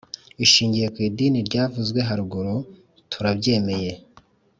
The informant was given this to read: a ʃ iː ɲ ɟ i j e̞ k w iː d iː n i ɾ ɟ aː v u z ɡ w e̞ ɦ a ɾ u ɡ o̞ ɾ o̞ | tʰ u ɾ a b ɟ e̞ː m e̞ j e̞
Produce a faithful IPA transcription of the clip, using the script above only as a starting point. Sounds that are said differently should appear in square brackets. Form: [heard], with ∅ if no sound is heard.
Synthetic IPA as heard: [i] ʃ iː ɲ ɟ i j e̞ k w iː d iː n i ɾ ɟ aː v u z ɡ w e̞ ɦ a ɾ u ɡ o̞ ɾ o̞ | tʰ u ɾ a b ɟ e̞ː m e̞ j e̞